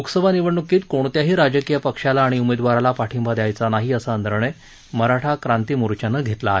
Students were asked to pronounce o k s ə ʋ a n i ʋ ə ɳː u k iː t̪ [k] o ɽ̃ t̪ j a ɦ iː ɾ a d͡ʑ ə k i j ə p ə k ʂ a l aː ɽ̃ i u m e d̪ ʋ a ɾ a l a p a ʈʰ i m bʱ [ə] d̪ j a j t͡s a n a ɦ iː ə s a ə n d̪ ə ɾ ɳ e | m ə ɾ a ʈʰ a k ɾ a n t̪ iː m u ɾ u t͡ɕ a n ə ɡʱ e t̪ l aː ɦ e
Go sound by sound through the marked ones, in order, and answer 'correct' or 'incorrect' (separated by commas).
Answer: correct, incorrect